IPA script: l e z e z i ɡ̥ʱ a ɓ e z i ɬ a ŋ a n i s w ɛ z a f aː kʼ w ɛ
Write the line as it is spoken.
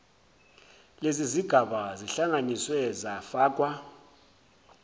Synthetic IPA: l e z i z i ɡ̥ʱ a ɓ a z i ɬ a ŋ a n i s w ɛ z a f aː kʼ w a